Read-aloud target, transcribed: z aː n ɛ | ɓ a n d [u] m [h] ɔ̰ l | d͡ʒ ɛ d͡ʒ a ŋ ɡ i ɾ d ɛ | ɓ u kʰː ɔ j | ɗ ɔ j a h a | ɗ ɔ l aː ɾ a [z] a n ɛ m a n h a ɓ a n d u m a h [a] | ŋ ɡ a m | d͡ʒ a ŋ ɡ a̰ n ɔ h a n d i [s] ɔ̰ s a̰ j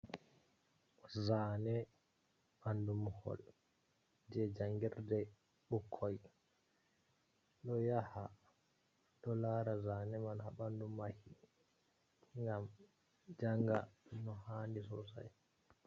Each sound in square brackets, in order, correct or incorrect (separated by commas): correct, correct, correct, incorrect, correct